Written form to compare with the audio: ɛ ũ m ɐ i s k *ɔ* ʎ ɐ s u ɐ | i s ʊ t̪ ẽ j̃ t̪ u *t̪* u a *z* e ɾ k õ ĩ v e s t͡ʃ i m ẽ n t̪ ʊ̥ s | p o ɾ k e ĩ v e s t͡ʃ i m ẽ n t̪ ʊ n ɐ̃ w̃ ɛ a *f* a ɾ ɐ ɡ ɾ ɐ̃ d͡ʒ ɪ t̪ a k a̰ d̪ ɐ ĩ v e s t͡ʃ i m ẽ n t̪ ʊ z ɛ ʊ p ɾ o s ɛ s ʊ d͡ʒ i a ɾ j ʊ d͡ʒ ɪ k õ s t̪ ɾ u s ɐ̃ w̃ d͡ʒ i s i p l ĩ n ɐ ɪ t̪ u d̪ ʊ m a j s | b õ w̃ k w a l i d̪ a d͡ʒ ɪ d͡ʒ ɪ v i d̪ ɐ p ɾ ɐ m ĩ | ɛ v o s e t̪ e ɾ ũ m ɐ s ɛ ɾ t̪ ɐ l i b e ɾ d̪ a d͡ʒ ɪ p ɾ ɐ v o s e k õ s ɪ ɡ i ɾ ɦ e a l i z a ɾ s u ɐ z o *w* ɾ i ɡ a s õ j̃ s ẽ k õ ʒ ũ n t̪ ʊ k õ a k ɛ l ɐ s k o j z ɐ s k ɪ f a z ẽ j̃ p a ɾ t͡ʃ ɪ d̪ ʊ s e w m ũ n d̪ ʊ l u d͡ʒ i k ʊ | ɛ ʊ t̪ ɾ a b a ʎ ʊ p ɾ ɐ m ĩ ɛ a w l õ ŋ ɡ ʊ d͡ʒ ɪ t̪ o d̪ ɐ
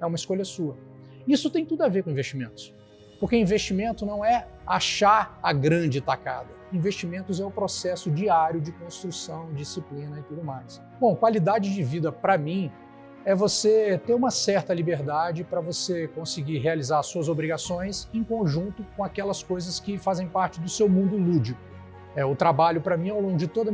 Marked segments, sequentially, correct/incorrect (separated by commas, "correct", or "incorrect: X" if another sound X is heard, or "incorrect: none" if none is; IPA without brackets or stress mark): incorrect: o, incorrect: d̪, incorrect: v, incorrect: ʃ, incorrect: b